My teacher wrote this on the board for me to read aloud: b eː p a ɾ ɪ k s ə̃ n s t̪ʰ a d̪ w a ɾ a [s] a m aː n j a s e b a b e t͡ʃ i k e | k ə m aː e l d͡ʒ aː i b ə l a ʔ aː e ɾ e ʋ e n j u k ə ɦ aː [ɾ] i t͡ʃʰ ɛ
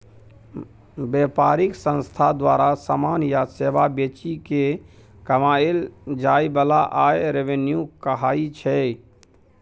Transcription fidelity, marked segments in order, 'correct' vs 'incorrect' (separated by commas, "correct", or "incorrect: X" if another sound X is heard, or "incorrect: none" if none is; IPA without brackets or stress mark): correct, incorrect: none